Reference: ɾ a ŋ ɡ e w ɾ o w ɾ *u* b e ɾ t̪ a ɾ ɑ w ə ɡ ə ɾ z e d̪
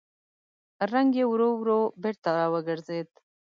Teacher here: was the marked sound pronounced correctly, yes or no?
no